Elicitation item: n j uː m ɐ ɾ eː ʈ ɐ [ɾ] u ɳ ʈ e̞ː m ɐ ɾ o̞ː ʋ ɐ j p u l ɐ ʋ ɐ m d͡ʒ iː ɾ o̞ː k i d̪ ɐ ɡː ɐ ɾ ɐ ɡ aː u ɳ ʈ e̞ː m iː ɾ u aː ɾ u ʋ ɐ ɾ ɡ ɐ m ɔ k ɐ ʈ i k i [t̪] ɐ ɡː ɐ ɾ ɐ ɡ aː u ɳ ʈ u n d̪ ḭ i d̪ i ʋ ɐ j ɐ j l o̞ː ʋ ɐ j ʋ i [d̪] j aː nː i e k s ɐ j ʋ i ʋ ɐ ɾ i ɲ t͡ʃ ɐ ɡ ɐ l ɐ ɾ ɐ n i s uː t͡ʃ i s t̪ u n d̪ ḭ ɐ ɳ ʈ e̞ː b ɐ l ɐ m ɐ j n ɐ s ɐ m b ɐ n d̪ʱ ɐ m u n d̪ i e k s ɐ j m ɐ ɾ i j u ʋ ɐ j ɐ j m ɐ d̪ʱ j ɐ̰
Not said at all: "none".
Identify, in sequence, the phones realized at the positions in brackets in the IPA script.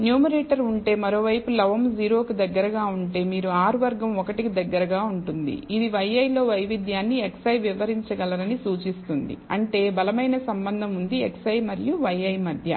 ɾ, d̪, d̪

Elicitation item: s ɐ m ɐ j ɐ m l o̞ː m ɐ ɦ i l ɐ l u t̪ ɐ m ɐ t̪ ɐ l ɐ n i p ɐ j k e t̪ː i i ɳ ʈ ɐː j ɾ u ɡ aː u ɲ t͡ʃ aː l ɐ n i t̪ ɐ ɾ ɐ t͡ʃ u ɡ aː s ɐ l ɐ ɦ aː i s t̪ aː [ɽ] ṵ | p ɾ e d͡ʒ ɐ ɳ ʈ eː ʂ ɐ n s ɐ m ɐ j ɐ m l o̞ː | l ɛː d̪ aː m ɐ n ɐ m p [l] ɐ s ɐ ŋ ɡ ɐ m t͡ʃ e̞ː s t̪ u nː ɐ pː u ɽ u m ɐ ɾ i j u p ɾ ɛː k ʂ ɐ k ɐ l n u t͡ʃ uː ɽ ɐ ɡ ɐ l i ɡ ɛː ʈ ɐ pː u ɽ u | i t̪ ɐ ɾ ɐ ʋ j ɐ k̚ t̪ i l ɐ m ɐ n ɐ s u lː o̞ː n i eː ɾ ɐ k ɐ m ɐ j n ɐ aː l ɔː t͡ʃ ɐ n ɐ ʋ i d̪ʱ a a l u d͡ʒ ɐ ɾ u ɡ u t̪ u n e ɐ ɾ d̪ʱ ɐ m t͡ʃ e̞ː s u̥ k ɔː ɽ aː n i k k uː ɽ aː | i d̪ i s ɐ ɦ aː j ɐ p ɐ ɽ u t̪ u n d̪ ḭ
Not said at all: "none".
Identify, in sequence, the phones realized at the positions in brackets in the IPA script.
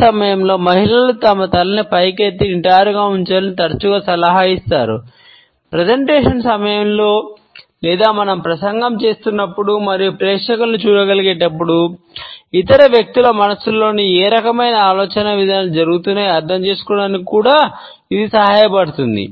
ɾ, ɾ

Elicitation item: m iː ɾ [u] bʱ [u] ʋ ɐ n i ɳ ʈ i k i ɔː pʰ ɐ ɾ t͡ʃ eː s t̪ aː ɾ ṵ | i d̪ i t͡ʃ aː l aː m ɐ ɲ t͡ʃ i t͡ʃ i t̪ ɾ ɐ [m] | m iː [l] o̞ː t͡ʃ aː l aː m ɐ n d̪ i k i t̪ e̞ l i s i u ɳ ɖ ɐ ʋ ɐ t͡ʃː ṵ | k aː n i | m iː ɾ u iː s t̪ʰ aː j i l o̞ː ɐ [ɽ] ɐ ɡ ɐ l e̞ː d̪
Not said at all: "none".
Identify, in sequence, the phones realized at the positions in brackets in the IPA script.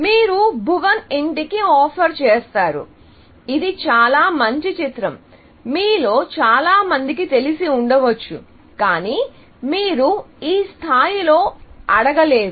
u, u, m, l, ɽ

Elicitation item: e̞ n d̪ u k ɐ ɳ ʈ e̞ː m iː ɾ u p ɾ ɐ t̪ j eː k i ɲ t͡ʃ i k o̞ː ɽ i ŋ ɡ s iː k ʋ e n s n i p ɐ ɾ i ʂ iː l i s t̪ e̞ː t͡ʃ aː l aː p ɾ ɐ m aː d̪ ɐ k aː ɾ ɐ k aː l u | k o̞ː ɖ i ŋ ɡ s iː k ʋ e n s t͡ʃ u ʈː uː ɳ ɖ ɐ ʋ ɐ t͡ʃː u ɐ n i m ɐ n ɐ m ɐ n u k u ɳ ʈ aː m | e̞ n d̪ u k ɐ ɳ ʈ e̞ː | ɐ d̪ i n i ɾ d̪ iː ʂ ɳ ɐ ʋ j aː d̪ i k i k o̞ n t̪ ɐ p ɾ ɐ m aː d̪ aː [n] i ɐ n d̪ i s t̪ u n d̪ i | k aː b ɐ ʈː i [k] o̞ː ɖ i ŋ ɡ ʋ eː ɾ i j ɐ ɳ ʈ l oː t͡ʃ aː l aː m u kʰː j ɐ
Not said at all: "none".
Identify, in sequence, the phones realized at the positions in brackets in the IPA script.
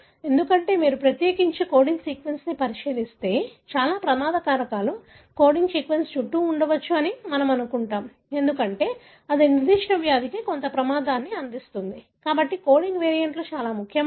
nː, k

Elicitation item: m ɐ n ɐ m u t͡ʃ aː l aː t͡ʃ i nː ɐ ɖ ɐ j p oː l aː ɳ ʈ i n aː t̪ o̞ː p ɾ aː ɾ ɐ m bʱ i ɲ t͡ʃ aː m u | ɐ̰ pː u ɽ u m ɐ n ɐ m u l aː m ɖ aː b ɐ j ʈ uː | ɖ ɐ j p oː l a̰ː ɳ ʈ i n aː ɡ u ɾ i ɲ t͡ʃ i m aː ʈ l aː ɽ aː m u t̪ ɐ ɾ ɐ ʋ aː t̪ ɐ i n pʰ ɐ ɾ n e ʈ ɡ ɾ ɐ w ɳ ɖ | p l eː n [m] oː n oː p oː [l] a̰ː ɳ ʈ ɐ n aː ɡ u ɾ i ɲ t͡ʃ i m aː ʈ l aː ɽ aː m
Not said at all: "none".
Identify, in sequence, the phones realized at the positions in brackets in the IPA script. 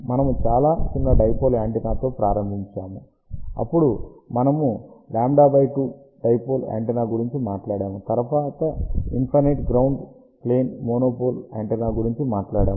m, l

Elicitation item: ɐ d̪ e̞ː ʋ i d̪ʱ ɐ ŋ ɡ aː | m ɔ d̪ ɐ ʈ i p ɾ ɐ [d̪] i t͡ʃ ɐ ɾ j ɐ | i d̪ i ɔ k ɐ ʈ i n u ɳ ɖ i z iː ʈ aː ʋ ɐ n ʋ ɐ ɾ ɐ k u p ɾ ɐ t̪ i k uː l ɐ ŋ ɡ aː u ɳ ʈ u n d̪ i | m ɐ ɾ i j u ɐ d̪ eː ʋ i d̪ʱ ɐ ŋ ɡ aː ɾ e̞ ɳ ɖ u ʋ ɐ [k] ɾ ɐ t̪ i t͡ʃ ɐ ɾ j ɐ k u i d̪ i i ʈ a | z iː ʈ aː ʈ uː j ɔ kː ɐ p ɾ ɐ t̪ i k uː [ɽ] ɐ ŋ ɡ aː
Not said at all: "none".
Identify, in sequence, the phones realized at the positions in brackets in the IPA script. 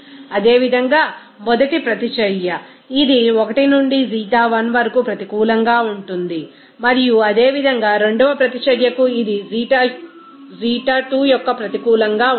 t̪, p, l

